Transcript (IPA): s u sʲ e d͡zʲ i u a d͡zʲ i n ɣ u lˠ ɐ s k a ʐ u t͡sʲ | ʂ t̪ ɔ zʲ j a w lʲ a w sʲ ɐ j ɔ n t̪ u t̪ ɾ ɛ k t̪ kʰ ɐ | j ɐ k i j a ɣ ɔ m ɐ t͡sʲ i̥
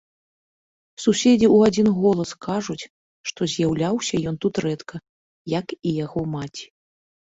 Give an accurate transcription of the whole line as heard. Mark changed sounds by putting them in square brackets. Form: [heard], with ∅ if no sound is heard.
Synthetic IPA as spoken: s u sʲ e d͡zʲ i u a d͡zʲ i n ɣ [ɔ] lˠ ɐ s k a ʐ u t͡sʲ | ʂ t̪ ɔ zʲ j a w lʲ a w sʲ ɐ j ɔ n t̪ u t̪ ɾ ɛ [∅] t̪ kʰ ɐ | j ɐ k i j a ɣ ɔ m [a] t͡sʲ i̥